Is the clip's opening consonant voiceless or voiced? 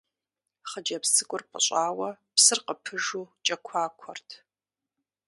voiceless